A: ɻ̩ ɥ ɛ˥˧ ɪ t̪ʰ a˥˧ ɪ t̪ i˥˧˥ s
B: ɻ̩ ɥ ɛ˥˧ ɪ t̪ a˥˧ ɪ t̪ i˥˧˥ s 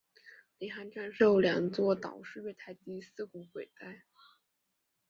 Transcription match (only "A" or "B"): A